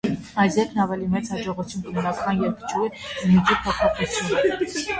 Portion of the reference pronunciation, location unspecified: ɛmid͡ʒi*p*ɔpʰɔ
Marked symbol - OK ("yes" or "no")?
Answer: no